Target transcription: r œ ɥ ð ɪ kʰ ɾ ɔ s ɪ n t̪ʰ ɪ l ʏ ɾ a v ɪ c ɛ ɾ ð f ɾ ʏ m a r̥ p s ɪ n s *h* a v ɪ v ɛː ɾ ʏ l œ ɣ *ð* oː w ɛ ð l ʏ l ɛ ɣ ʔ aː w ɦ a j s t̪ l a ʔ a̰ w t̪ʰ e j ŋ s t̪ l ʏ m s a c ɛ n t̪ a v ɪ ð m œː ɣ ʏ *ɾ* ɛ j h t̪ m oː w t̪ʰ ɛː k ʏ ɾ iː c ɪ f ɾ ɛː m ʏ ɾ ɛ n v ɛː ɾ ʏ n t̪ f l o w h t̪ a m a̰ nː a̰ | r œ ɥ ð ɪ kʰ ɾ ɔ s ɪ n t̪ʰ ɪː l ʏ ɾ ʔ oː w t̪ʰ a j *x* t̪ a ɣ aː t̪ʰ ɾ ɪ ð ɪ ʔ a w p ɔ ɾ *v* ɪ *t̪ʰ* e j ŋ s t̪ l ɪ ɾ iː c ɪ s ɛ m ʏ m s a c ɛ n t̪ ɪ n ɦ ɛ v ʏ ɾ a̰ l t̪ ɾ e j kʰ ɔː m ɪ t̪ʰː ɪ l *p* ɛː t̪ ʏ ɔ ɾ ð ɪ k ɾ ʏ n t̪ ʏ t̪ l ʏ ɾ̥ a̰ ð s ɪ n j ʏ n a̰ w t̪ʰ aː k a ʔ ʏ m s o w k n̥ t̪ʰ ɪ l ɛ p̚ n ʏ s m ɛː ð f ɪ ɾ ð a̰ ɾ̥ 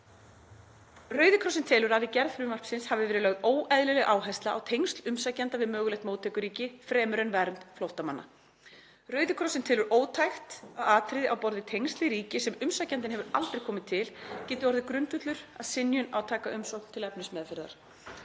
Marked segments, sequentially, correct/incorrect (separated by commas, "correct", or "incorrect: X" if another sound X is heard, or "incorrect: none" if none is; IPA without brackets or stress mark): correct, correct, incorrect: l, correct, incorrect: ð, correct, incorrect: c